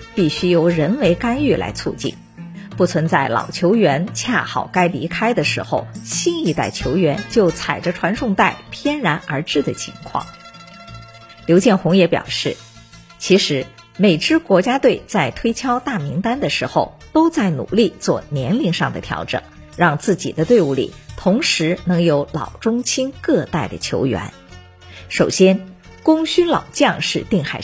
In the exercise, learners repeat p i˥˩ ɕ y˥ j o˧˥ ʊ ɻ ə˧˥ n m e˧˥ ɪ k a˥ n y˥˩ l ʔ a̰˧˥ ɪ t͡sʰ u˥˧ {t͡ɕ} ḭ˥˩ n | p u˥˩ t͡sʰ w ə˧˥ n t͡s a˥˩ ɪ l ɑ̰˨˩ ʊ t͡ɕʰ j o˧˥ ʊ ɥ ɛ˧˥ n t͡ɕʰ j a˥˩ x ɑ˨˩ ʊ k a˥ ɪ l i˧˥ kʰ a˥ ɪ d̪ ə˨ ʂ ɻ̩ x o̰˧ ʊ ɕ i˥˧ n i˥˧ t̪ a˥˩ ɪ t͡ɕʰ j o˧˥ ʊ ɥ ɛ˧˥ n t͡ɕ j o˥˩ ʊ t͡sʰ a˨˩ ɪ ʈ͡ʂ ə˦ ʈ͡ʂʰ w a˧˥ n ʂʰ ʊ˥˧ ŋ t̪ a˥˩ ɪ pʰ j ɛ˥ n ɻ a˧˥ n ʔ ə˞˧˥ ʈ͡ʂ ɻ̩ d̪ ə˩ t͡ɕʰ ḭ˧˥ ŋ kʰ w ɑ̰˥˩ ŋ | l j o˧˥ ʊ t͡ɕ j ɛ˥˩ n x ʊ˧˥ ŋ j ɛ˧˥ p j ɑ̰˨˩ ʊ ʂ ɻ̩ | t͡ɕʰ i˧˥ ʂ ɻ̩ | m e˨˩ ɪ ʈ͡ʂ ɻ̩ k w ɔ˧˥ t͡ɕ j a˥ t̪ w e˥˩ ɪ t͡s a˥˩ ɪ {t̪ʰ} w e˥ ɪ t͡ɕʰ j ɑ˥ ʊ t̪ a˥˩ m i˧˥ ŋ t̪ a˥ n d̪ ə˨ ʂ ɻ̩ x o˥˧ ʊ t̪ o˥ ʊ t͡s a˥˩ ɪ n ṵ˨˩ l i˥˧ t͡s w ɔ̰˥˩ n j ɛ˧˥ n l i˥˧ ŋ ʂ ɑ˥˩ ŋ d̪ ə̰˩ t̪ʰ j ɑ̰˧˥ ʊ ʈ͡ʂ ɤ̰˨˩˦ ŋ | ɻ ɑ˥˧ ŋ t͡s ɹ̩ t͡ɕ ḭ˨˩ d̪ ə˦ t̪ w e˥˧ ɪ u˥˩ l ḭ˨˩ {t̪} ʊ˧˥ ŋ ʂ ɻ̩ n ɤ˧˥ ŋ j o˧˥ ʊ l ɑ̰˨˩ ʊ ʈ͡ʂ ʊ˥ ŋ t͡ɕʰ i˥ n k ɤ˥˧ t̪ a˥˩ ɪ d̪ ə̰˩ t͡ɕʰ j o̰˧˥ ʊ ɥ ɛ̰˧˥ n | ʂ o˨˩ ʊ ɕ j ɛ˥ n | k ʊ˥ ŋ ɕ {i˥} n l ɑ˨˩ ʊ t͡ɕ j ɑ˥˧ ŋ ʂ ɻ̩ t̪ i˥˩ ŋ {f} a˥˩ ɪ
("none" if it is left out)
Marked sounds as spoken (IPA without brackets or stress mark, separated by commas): t͡ɕ, t̪ʰ, t̪ʰ, y˥, x